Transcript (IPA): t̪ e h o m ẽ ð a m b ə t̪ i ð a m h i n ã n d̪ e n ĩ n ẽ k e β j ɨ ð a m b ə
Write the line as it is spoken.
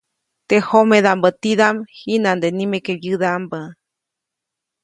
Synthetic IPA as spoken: t̪ e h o m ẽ ð a m b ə t̪ i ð a m h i n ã n d̪ e n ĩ m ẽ k e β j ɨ ð a m b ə